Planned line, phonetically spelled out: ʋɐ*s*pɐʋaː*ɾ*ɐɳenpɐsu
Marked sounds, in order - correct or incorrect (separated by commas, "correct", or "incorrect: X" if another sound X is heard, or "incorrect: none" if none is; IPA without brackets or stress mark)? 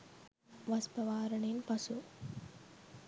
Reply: correct, correct